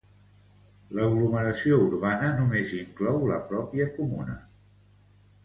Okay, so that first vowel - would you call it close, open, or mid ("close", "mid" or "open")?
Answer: mid